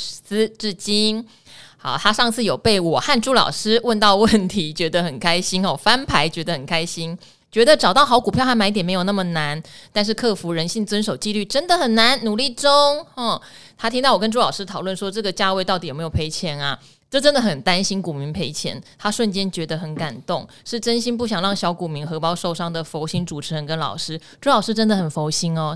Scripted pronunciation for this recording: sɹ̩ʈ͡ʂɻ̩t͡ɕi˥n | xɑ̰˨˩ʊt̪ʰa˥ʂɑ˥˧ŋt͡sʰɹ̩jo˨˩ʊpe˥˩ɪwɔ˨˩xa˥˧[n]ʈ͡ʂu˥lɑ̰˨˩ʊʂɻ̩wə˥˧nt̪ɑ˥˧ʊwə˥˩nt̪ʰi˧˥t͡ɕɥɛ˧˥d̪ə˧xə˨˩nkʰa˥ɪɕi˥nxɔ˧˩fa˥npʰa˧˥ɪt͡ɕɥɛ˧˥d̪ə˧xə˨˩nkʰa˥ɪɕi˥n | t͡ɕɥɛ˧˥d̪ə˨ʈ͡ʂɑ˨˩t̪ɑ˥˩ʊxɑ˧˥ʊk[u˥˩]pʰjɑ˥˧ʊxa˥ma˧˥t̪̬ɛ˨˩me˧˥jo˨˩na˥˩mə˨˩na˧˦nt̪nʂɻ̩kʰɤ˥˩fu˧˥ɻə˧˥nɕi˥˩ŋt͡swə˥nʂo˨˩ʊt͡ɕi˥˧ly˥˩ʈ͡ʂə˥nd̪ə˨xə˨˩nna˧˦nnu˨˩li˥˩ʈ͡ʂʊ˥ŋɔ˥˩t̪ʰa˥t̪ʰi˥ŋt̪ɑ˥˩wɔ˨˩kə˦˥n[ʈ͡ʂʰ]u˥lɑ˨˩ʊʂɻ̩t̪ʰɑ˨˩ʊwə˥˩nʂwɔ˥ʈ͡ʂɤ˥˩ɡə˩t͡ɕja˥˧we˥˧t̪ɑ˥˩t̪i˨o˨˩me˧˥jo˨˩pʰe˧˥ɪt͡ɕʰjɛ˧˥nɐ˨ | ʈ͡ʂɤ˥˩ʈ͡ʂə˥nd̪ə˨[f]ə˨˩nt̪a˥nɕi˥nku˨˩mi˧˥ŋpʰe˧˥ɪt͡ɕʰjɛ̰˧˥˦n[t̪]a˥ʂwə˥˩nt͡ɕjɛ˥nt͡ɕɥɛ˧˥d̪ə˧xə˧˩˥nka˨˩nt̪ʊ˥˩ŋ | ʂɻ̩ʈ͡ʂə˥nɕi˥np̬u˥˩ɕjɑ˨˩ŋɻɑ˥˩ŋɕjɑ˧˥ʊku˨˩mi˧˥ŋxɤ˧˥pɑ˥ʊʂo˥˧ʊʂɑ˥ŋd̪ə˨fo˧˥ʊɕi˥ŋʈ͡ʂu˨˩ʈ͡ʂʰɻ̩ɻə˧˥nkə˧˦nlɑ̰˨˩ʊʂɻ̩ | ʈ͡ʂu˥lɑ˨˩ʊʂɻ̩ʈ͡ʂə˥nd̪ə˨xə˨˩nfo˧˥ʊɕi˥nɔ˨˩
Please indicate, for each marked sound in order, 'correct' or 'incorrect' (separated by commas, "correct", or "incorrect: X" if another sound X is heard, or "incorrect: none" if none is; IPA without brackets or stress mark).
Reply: correct, incorrect: u˨˩, incorrect: ʈ͡ʂ, incorrect: x, incorrect: t̪ʰ